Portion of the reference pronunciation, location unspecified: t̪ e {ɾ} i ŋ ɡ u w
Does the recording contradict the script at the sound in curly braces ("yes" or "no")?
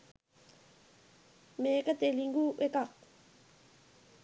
yes